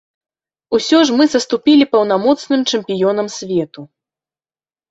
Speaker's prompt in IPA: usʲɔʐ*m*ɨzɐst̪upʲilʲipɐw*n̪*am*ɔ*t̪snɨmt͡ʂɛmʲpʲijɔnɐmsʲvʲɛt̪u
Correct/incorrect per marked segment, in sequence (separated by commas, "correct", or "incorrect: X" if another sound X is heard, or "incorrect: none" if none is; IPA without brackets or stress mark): correct, correct, correct